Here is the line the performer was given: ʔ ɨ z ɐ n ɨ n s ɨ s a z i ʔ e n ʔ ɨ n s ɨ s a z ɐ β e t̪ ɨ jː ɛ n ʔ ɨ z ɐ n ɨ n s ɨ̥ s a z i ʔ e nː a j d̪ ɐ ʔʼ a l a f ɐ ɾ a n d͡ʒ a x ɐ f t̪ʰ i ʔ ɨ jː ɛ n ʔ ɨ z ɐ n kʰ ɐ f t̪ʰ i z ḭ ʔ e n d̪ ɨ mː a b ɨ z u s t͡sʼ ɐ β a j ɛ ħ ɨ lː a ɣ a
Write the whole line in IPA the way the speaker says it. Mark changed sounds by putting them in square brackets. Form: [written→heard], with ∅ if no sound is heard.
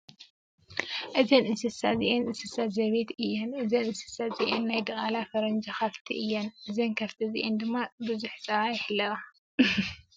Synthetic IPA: ʔ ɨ z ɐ n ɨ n s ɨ s a z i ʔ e n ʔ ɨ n s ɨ s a z ɐ β e t̪ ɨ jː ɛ n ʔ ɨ z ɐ n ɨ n s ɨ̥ s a z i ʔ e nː a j d̪ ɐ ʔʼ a l a f ɐ ɾ [a→ɐ] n d͡ʒ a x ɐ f t̪ʰ i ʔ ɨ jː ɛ n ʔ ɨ z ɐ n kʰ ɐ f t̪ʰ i z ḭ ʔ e n d̪ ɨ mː a b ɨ z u [s→ħ] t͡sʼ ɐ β a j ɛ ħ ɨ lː [a→ɐ] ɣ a